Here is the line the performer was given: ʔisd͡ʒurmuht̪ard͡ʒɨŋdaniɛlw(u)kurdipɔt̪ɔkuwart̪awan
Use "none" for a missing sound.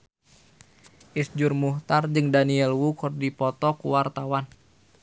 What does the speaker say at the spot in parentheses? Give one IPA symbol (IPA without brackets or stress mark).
u